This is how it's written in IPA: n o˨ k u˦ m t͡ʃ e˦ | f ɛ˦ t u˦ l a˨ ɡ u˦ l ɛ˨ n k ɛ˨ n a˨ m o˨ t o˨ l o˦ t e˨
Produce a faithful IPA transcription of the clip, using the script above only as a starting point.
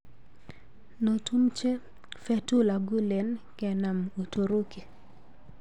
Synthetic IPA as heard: n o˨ t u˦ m t͡ʃ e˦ | f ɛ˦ t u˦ l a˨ ɡ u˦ l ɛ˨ n k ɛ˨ n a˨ m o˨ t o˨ ɾ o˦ k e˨